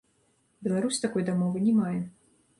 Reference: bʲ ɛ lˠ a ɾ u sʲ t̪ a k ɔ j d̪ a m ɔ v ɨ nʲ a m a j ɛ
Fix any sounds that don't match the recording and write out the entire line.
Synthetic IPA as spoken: bʲ ɛ lˠ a ɾ u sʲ t̪ a k ɔ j d̪ a m ɔ v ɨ nʲ ɛ m a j ɛ